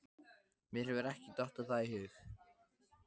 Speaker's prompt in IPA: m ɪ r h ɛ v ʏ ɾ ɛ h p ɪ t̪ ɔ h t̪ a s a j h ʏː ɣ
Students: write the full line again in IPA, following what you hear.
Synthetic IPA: m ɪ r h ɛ v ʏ ɾ ɛ h c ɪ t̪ ɔ h t̪ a θ a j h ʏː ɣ